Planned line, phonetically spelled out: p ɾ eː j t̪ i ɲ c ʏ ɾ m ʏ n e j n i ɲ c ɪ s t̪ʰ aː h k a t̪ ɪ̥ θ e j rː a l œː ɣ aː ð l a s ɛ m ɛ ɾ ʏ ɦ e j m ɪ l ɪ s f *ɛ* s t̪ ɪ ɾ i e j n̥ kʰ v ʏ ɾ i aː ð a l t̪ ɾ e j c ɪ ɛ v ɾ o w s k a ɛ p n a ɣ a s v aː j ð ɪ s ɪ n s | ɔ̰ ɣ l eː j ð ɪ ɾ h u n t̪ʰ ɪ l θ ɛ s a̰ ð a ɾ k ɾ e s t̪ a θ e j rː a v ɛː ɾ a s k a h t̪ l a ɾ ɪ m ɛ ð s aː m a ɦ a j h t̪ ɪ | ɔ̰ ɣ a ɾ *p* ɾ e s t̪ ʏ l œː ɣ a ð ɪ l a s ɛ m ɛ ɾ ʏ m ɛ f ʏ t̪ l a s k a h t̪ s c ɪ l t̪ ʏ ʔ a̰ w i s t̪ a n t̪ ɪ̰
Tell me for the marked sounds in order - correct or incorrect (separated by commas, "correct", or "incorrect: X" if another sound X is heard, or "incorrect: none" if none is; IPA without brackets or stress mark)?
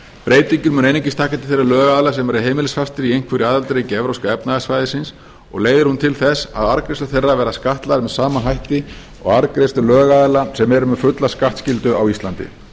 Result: incorrect: a, incorrect: k